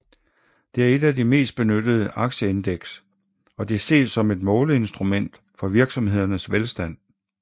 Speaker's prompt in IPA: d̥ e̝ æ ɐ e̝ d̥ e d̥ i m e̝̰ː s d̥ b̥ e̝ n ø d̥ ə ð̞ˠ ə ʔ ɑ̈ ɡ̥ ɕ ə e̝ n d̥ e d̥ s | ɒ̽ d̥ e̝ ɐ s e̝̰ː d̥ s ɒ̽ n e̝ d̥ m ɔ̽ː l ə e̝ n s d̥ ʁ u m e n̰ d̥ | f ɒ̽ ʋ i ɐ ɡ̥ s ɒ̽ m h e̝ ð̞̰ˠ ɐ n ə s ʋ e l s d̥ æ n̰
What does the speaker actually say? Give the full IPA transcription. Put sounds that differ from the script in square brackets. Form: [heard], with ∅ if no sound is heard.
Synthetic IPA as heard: d̥ e̝ æ ɐ e̝ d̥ [æ] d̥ i m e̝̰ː s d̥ b̥ e̝ n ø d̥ ə ð̞ˠ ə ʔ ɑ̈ ɡ̥ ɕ ə e̝ n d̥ e [ɡ̥] s | ɒ̽ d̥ e̝ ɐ s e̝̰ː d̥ s ɒ̽ [m] e̝ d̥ m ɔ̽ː l ə e̝ n s d̥ ʁ u m e n̰ d̥ | f ɒ̽ ʋ i ɐ ɡ̥ s ɒ̽ m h e̝ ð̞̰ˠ ɐ n ə s ʋ e l s d̥ æ n̰